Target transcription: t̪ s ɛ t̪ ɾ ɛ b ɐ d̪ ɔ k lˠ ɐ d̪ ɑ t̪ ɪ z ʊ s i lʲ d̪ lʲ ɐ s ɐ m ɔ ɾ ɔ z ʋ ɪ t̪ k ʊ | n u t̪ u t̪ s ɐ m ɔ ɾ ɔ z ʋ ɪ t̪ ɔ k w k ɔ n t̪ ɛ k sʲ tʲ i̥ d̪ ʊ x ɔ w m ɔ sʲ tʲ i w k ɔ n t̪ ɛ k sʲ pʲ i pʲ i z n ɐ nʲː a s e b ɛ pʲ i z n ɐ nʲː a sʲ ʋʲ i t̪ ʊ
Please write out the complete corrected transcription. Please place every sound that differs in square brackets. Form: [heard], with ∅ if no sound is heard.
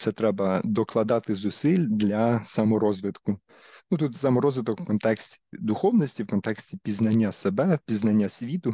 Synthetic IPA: t̪ s ɛ t̪ ɾ ɛ b ɐ d̪ ɔ k lˠ ɐ d̪ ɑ t̪ ɪ z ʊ s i lʲ d̪ lʲ ɐ s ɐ m ɔ ɾ ɔ z ʋ ɪ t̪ k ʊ | n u t̪ u t̪ s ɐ m ɔ ɾ ɔ z ʋ ɪ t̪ ɔ k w k ɔ n t̪ ɛ k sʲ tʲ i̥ d̪ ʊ x ɔ w [n] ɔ sʲ tʲ i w k ɔ n t̪ ɛ k sʲ [tʲ] i pʲ i z n ɐ nʲː a s e b ɛ pʲ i z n ɐ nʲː a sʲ ʋʲ i t̪ ʊ